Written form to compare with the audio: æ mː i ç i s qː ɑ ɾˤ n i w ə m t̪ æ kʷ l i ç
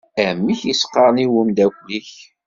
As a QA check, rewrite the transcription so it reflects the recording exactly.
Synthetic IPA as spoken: æ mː i ç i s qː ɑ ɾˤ n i w ə m d̪ æ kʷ l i ç